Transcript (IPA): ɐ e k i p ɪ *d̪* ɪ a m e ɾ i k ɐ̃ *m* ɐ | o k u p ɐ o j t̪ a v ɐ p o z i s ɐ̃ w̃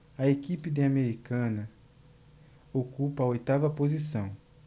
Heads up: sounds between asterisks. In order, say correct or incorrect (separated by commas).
correct, incorrect